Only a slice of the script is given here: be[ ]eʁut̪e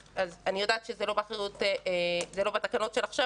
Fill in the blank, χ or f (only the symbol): χ